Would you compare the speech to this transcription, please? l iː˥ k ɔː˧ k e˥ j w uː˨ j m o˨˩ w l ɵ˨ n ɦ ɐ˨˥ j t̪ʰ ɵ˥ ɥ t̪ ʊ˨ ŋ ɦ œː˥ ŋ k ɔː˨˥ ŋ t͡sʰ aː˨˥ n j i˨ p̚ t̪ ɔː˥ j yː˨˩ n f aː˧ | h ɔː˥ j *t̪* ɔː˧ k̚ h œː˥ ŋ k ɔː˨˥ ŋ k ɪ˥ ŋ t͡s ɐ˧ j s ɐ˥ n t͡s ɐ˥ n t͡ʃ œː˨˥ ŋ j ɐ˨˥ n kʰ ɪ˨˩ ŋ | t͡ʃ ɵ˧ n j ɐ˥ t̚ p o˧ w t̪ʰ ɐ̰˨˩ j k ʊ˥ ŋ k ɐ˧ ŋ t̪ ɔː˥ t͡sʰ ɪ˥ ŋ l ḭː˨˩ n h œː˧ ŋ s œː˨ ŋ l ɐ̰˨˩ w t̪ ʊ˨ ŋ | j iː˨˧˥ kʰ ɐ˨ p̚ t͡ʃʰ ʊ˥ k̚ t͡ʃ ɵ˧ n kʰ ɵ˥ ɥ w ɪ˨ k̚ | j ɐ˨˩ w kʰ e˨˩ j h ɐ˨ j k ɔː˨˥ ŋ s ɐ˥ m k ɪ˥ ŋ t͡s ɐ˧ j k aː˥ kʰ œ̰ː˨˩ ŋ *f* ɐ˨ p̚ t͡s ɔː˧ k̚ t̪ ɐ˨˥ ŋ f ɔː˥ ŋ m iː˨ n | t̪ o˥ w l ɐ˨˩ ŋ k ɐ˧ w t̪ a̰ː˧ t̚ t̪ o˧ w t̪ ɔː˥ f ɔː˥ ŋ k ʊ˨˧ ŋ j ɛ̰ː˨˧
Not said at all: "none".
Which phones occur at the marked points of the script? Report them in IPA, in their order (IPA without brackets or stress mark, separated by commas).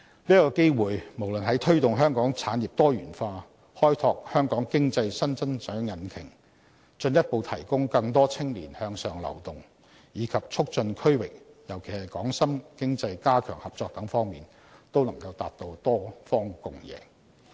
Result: t̪ʰ, h